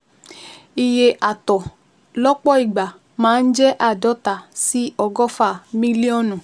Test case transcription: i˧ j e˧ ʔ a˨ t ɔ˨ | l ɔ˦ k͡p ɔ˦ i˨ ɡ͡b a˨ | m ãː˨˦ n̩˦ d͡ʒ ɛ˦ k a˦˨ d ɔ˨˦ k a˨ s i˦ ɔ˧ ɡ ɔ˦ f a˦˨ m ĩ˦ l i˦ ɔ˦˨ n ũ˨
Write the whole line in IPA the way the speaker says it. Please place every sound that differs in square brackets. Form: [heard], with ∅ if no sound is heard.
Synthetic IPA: i˧ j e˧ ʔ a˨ t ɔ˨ | l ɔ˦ k͡p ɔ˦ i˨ ɡ͡b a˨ | m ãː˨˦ n̩˦ d͡ʒ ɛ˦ [ʔ] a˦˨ d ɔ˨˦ [t] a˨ s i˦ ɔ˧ ɡ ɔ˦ f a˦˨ m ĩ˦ l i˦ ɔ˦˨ n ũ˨